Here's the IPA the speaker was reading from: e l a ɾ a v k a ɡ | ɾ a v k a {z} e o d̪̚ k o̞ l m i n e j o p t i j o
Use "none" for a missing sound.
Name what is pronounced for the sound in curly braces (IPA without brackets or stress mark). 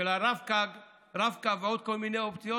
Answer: v